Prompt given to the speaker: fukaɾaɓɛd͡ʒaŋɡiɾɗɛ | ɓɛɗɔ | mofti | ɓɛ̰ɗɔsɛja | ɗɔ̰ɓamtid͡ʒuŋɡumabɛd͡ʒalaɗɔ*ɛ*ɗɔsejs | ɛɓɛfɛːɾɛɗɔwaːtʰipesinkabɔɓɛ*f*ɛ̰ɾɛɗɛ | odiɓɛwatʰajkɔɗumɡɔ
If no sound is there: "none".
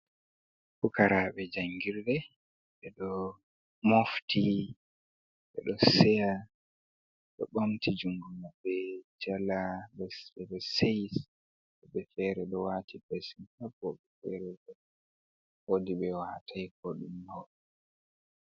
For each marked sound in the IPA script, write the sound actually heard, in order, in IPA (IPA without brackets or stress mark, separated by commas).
ɛ, f